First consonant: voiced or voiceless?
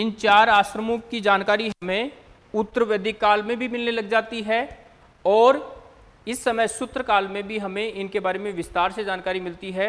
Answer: voiced